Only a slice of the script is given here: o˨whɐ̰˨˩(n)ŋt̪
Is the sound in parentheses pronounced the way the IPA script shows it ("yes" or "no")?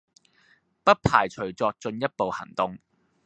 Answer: no